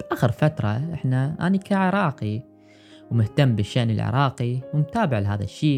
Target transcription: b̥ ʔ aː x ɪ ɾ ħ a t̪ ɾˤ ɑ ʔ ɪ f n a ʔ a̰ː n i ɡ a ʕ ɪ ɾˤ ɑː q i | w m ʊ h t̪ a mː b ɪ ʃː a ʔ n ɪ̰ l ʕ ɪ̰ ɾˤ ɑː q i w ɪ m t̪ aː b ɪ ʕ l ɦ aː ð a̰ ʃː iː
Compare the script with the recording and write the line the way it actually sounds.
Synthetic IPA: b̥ ʔ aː x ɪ ɾ f a t̪ ɾˤ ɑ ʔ ɪ ħ n a ʔ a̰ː n i k a ʕ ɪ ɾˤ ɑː q i | w m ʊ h t̪ a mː b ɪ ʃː a ʔ n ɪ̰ l ʕ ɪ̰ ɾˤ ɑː q i w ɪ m t̪ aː b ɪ ʕ l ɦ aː ð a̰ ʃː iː